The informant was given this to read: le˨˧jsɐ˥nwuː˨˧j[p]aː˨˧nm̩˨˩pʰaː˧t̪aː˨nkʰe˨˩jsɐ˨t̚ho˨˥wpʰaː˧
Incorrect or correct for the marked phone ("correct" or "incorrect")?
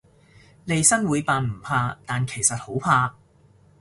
correct